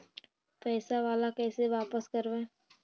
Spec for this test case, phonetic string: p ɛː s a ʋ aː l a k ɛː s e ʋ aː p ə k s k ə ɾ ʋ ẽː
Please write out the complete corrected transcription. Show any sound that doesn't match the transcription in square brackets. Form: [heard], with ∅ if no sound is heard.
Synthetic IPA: p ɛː s a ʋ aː l a k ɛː s e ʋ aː p ə [∅] s k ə ɾ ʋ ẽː